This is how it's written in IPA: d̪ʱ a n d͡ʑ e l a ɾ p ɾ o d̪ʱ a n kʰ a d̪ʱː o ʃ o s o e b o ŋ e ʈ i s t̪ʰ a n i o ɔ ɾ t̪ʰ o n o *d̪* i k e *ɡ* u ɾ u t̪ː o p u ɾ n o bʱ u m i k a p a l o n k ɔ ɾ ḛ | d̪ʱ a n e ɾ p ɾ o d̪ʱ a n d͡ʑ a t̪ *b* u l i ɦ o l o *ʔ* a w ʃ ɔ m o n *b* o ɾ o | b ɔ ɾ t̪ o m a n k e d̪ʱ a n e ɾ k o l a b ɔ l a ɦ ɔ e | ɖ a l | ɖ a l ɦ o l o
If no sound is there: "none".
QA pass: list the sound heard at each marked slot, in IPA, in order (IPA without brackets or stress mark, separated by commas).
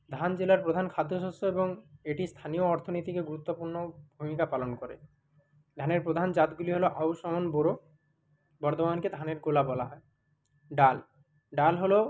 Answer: t̪, ɡ, ɡ, ʔ, b